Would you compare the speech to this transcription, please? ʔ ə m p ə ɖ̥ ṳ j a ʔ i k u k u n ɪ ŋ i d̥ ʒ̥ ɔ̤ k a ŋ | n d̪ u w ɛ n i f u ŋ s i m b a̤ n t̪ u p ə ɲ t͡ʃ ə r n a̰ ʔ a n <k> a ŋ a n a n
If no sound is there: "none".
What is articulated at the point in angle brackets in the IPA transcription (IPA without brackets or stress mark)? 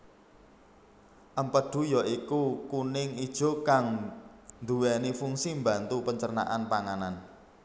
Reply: p